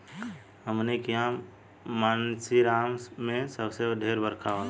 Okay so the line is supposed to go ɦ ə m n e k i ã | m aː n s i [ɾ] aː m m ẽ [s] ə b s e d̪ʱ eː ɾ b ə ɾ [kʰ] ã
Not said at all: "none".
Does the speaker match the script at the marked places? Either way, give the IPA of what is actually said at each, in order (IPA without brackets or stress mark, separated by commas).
ɾ, s, kʰ